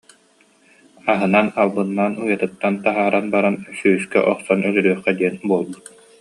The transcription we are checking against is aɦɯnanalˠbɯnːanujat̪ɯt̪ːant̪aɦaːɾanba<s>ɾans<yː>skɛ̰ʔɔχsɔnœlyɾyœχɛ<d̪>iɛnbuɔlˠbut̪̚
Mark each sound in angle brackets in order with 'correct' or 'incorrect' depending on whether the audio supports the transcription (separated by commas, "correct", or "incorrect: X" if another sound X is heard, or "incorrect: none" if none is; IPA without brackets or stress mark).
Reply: incorrect: none, correct, correct